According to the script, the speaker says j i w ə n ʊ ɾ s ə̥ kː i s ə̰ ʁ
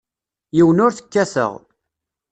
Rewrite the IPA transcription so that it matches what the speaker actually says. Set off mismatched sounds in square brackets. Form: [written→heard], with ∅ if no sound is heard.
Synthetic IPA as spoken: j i w ə n ʊ ɾ [s→θ] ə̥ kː [i→æ] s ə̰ ʁ